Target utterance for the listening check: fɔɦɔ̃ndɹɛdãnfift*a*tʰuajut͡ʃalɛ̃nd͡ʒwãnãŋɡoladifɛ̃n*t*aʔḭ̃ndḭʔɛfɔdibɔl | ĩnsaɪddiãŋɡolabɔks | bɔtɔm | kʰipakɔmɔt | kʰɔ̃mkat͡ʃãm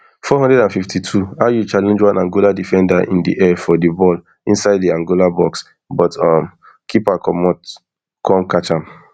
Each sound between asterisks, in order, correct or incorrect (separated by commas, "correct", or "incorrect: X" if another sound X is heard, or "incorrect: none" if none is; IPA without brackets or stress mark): incorrect: i, incorrect: d